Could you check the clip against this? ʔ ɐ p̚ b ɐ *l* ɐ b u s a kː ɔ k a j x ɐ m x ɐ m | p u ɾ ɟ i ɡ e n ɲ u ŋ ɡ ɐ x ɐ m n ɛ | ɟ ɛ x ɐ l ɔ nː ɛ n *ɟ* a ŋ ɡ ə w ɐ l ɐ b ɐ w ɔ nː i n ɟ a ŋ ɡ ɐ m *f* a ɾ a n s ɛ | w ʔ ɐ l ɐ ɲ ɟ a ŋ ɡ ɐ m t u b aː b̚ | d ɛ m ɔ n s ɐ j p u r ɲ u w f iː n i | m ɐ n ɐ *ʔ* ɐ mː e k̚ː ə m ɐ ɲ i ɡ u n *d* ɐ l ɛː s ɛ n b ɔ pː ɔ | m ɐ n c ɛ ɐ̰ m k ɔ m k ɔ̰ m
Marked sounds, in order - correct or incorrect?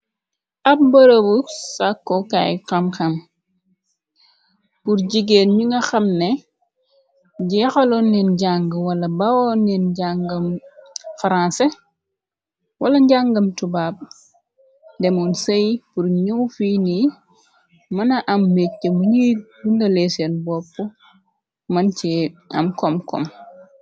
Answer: incorrect, correct, correct, correct, correct

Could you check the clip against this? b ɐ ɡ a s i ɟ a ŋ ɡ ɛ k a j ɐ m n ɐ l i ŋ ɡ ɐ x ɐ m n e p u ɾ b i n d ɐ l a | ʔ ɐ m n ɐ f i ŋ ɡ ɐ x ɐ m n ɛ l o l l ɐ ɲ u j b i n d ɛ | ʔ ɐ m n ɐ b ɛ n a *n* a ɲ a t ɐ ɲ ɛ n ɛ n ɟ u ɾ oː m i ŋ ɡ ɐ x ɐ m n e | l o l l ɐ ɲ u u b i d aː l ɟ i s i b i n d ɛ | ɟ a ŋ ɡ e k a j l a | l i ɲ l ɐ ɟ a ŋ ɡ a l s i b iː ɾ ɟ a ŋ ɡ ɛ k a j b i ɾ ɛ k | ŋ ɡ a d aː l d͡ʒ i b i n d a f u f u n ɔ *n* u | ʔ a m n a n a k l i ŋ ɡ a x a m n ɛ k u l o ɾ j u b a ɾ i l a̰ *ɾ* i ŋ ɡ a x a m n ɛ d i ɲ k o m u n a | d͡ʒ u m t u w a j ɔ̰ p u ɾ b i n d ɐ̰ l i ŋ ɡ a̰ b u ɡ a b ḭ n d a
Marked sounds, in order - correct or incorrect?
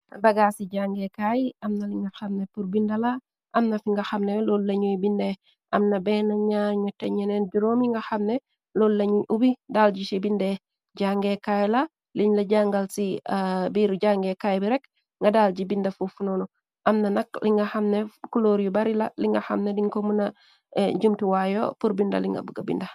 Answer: incorrect, correct, incorrect

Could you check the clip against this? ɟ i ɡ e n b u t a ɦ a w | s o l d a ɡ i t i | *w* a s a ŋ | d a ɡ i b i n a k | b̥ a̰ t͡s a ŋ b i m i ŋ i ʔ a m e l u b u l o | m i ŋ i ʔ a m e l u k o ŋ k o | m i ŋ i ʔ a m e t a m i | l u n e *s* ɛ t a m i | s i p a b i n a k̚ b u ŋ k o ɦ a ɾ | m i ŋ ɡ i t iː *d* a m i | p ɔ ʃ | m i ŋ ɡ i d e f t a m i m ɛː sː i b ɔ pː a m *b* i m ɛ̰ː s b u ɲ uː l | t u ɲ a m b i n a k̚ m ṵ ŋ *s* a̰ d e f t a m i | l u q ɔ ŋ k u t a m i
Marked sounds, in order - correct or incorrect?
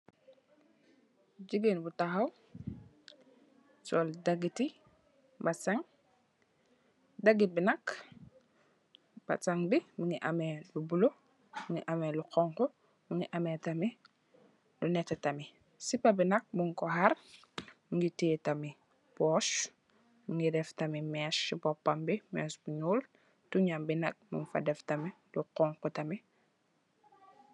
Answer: incorrect, incorrect, incorrect, correct, incorrect

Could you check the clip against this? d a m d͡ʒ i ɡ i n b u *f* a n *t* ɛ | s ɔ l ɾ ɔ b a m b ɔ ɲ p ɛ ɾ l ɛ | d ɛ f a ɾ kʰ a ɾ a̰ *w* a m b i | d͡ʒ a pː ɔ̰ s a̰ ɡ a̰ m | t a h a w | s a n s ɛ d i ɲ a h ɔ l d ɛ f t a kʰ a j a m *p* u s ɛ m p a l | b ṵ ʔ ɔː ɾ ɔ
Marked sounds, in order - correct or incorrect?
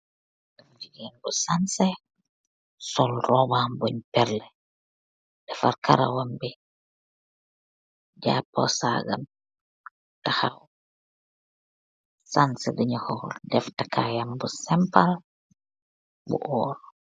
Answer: incorrect, incorrect, correct, incorrect

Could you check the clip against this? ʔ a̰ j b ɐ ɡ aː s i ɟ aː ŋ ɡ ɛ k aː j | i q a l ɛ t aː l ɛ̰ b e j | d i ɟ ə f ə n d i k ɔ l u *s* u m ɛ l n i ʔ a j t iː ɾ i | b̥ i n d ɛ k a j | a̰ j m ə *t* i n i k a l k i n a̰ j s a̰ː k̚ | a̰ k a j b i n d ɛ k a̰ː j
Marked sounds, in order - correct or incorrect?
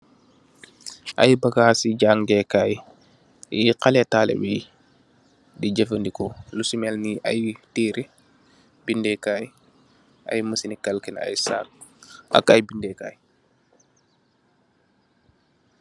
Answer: correct, incorrect

